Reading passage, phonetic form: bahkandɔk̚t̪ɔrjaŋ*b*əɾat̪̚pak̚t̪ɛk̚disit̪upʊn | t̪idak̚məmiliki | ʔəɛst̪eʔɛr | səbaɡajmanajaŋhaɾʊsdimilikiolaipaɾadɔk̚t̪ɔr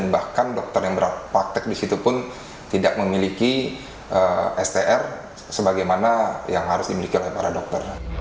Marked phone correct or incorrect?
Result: correct